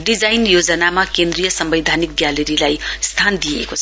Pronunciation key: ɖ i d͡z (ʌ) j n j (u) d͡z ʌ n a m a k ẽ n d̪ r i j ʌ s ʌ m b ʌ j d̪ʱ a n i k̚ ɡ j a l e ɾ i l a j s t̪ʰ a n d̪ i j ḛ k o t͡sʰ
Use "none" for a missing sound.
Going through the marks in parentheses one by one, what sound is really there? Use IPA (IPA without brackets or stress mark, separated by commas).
a, o